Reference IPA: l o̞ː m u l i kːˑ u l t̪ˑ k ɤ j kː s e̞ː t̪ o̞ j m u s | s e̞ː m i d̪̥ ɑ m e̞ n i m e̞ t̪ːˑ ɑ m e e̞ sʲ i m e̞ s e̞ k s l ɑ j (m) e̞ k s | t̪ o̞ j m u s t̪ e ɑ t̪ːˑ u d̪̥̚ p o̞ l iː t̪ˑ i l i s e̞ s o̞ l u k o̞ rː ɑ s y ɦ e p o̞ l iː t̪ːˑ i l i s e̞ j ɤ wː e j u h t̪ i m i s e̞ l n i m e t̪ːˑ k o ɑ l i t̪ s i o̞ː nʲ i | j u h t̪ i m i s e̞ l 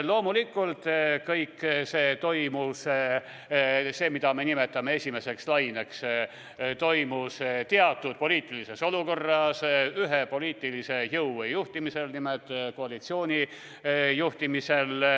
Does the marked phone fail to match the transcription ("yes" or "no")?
yes